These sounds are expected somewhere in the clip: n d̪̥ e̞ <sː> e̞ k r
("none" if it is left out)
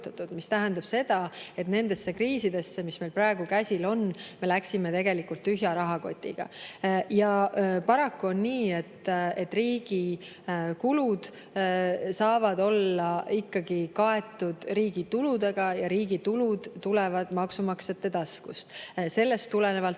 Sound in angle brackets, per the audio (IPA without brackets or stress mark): sː